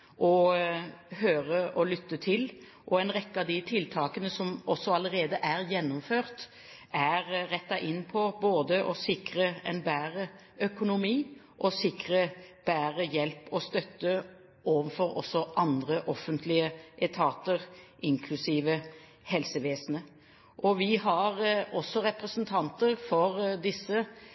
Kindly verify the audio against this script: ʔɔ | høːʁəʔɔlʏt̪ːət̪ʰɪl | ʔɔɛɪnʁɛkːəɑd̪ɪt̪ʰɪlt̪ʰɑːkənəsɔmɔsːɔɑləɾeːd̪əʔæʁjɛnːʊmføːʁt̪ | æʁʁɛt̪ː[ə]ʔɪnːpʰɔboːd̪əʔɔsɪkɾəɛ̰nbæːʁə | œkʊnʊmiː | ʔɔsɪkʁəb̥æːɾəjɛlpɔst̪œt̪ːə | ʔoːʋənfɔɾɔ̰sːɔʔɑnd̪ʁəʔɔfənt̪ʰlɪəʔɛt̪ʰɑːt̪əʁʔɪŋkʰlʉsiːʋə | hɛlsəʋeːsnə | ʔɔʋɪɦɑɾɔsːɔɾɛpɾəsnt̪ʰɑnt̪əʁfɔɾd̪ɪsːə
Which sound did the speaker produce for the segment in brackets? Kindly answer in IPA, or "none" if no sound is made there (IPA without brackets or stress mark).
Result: ɑ